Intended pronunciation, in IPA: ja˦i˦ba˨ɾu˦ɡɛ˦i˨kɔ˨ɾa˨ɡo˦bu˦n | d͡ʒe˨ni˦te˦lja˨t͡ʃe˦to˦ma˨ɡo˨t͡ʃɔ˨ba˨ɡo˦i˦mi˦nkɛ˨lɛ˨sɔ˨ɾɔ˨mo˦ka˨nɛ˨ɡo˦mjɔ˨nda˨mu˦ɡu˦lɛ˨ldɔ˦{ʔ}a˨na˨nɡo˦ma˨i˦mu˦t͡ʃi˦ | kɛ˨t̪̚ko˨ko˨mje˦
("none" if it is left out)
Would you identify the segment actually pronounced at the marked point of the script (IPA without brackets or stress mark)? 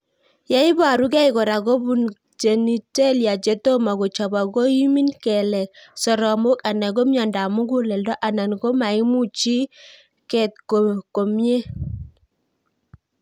ʔ